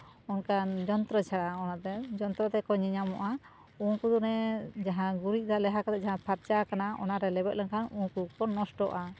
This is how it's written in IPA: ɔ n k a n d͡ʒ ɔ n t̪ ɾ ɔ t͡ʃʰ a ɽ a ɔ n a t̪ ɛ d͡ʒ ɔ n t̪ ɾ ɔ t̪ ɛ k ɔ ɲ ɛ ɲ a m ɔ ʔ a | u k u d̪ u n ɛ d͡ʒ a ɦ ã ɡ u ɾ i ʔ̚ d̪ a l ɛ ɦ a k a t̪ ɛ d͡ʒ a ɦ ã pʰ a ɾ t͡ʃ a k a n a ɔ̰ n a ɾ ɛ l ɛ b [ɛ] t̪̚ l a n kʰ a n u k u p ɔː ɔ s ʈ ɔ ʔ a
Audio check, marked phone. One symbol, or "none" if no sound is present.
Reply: ɛ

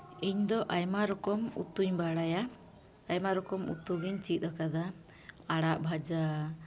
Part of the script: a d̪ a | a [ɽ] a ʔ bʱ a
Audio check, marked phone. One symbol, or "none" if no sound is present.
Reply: ɽ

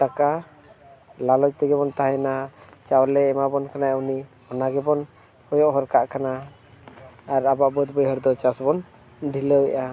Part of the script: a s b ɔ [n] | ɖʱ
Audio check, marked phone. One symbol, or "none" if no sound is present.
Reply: n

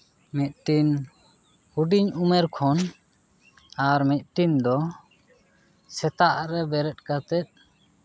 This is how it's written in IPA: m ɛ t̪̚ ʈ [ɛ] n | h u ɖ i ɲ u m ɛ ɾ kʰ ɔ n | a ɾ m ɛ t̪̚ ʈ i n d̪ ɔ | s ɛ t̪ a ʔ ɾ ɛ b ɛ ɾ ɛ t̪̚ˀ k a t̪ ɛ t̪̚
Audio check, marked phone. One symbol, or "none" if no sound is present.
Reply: i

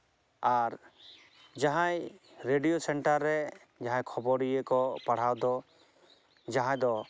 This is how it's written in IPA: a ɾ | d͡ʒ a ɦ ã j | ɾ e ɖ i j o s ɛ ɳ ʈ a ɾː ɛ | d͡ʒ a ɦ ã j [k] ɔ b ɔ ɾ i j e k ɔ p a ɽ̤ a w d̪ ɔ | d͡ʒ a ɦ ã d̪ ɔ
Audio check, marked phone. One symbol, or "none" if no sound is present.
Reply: kʰ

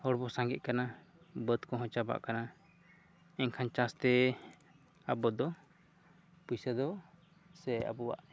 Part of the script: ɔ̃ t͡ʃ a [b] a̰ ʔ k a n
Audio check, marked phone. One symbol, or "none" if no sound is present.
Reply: b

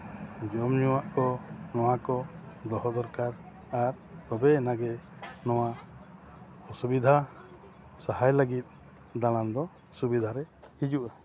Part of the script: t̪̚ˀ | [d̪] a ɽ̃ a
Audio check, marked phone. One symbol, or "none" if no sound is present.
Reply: d̪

